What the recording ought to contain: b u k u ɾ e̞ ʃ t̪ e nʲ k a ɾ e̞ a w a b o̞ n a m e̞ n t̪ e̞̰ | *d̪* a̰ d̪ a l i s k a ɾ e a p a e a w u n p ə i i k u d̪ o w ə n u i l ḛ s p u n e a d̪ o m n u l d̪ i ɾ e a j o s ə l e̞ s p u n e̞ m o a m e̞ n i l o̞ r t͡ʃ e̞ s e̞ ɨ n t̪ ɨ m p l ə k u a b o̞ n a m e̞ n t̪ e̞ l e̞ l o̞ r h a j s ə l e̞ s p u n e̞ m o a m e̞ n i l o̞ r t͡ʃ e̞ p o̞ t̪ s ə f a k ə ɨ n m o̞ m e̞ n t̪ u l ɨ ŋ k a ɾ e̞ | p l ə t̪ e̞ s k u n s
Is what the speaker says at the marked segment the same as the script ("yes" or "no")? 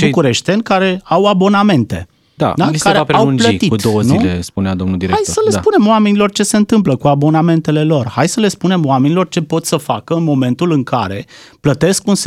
yes